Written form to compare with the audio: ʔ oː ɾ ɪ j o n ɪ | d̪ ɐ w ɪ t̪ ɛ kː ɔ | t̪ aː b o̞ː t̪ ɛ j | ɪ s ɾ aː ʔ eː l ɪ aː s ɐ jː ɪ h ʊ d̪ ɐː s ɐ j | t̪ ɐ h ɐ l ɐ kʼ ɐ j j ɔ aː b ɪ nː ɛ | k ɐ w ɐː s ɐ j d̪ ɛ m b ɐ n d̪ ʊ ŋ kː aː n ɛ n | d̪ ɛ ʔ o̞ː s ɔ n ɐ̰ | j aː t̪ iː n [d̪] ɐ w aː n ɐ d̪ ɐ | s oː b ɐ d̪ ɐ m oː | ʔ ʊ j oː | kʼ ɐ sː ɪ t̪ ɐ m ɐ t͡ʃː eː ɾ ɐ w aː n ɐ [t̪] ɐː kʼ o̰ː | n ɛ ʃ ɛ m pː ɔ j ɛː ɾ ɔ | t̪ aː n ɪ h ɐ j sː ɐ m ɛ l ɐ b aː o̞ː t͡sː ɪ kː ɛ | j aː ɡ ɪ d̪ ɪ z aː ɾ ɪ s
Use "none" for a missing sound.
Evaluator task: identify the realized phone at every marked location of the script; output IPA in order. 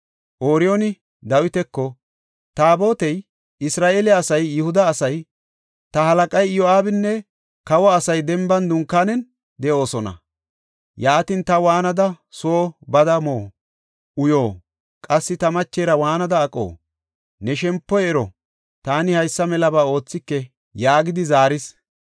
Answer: t̪, d̪

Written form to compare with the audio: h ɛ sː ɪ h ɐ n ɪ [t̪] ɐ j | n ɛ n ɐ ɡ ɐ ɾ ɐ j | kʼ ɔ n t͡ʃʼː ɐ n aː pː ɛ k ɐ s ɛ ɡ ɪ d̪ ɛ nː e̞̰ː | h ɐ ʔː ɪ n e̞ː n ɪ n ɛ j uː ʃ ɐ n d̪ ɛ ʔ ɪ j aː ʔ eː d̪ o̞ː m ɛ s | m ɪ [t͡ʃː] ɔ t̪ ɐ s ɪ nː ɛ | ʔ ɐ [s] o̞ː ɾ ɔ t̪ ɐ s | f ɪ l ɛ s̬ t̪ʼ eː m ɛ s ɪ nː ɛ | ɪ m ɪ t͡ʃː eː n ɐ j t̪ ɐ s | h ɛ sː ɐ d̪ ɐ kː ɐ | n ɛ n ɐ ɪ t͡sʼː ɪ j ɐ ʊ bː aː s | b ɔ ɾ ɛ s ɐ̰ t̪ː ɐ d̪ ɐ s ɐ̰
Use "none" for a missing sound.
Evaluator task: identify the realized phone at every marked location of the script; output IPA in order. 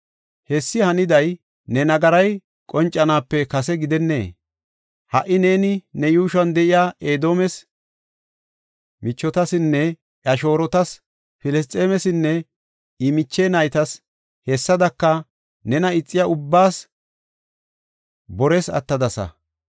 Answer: d̪, t͡ʃː, ʃ

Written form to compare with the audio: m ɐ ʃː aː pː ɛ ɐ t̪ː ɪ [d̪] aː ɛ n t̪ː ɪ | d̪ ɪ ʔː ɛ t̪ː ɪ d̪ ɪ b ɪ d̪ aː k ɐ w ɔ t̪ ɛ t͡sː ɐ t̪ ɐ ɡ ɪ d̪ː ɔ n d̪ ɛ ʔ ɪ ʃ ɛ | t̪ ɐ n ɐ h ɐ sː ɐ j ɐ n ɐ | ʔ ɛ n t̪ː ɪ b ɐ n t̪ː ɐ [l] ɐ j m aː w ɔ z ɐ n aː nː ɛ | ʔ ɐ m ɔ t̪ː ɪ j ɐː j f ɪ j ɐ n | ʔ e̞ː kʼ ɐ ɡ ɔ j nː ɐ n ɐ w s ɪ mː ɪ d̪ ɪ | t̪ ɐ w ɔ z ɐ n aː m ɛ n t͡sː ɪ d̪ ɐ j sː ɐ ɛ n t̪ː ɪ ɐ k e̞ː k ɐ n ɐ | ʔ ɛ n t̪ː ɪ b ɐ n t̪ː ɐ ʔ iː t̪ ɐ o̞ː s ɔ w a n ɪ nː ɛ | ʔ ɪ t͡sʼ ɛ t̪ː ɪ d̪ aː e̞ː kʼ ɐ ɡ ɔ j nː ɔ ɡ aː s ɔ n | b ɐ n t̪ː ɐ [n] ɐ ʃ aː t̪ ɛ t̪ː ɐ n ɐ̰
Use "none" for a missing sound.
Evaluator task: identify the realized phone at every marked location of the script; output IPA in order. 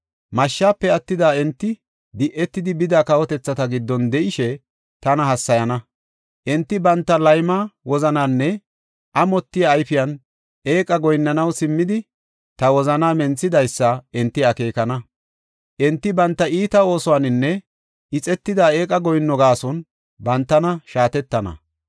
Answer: d̪, l, n

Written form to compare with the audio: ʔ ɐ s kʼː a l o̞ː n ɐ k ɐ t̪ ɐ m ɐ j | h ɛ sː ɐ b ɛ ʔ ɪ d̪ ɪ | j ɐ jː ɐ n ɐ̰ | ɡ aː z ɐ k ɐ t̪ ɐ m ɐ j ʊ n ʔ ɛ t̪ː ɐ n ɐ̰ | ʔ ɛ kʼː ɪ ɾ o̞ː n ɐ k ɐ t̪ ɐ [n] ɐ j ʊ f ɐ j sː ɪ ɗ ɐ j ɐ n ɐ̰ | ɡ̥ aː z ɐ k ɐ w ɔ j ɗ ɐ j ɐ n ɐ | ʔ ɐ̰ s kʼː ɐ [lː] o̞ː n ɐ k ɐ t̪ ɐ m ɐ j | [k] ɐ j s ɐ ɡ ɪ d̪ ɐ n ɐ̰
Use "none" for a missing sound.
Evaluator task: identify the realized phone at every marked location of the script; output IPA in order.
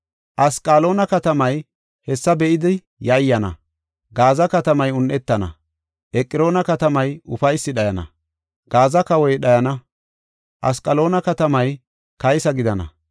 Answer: m, l, k

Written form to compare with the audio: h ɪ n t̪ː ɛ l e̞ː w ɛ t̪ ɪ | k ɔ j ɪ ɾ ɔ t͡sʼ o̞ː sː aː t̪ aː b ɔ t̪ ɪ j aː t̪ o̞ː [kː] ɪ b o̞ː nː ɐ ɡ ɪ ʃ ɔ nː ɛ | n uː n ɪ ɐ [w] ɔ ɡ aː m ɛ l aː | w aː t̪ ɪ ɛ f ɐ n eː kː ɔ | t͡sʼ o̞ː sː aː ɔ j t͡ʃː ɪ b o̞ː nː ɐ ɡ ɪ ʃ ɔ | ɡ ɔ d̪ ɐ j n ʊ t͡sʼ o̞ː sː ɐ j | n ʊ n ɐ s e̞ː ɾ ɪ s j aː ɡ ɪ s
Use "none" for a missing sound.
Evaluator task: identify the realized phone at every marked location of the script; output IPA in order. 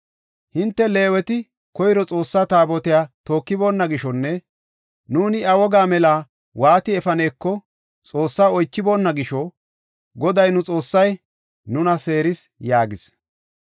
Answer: kː, w

